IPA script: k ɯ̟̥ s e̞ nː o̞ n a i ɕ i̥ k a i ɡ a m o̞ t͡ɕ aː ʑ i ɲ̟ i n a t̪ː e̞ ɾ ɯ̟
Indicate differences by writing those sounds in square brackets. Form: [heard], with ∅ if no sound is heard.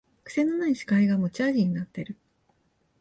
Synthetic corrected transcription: k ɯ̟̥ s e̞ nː o̞ n a i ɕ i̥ k a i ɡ a m o̞ t͡ɕ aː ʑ i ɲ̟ i n a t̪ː e̞ ɾ ɯ̟